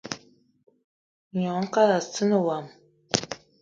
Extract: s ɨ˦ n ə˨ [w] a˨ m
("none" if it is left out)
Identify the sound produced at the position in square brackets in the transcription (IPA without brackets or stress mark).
w